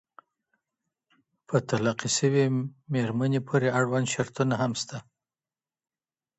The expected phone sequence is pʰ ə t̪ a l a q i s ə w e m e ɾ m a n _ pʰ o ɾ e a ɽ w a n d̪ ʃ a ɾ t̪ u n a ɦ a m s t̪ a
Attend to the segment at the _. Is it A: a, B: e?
B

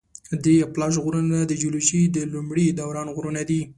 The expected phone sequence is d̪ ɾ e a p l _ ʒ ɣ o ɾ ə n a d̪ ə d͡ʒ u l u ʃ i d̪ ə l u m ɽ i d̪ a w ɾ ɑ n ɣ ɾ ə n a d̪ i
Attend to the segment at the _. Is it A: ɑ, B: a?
A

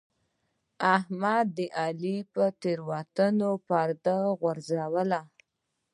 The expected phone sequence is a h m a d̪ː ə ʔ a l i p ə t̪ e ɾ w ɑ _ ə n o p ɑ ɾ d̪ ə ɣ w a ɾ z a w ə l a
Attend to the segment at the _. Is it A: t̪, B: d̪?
A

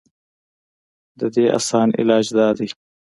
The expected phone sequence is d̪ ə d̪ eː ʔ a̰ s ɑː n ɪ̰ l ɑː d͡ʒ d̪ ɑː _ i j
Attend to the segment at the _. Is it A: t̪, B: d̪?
B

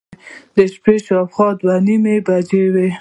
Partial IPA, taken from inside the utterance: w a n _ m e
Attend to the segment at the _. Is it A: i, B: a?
A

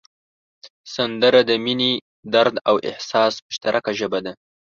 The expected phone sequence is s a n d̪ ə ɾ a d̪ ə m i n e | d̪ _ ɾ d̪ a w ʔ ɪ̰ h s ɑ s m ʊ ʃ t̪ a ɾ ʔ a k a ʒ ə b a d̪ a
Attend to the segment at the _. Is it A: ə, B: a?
B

